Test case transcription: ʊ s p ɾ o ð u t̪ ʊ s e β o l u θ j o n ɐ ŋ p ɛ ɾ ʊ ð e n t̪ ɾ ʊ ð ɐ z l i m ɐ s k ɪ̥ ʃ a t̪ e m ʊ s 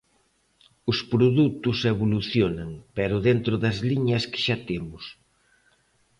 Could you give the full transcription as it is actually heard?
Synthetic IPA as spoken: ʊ s p ɾ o ð u t̪ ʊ s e β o l u θ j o n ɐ ŋ p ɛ ɾ ʊ ð e n t̪ ɾ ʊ ð ɐ z l i ɲ ɐ s k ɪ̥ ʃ a t̪ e m ʊ s